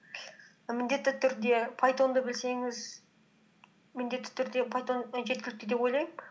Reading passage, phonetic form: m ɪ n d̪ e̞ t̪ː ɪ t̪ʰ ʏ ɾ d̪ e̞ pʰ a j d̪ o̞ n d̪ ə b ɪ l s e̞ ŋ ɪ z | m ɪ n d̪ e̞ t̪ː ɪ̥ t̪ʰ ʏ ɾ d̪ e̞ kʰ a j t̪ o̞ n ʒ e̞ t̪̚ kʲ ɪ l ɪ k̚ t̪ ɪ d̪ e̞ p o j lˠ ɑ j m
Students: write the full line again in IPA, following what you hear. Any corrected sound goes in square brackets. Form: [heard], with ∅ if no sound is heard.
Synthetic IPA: m ɪ n d̪ e̞ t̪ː ɪ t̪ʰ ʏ ɾ d̪ e̞ pʰ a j [t̪] o̞ n d̪ ə b ɪ l s e̞ ŋ ɪ z | m ɪ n d̪ e̞ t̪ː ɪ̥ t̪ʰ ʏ ɾ d̪ e̞ [pʰ] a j t̪ o̞ n ʒ e̞ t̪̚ kʲ ɪ l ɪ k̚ t̪ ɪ d̪ e̞ p o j lˠ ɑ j m